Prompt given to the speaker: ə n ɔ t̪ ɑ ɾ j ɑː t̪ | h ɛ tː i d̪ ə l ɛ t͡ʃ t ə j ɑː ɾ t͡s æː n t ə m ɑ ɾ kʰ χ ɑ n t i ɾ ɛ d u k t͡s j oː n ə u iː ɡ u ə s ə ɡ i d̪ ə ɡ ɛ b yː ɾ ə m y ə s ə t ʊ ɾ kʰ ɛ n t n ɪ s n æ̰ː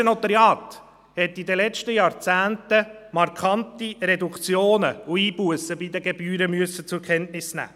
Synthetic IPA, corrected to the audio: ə n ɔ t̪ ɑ ɾ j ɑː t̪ | h ɛ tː i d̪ ə l ɛ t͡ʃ t ə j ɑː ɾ t͡s æː n t ə m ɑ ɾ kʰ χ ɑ n t i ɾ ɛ d u k t͡s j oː n ə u iː b u ə s ə b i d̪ ə ɡ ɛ b yː ɾ ə m y ə s ə t͡s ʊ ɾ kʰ ɛ n t n ɪ s n æ̰ː